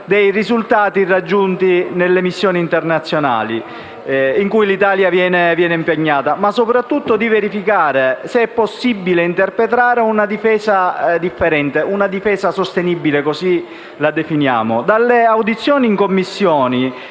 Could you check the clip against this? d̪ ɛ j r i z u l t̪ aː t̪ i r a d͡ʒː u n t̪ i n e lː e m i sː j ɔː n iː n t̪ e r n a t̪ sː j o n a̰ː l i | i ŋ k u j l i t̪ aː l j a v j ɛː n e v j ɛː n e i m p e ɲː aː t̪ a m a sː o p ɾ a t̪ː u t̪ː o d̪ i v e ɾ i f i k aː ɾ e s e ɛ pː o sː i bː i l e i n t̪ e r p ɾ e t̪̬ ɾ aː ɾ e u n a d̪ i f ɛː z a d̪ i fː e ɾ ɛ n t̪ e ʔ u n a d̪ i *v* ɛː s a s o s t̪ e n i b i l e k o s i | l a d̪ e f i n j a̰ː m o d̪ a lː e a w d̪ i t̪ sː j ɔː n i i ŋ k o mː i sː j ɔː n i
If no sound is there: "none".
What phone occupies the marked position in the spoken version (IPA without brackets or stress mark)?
f